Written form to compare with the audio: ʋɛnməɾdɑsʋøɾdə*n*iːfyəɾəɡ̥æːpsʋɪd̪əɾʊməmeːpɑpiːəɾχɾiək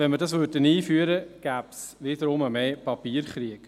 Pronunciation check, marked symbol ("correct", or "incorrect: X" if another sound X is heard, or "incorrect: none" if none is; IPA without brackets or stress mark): correct